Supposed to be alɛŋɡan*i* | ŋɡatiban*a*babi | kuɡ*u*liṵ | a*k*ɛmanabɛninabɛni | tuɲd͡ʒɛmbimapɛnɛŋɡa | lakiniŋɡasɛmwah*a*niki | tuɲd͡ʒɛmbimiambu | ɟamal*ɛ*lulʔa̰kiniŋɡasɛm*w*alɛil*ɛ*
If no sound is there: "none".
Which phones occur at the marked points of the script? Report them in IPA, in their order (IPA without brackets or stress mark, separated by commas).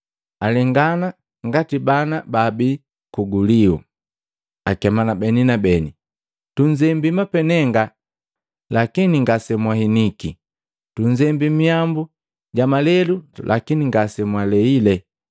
a, a, u, k, i, ɛ, w, ɛ